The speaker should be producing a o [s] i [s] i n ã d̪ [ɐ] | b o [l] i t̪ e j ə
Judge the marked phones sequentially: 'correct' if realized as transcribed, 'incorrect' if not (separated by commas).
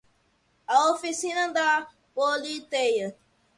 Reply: incorrect, correct, incorrect, correct